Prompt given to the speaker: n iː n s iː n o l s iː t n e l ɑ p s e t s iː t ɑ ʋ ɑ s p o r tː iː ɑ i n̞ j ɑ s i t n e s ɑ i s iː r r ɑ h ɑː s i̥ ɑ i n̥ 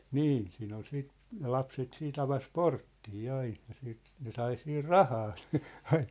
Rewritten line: n iː n s iː n o l s iː t n e l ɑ p s e t s iː t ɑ ʋ ɑ s p o r tː iː ɑ i n̞ j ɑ s iː t n e s ɑ i s iː r r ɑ h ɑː s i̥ ɑ i n̥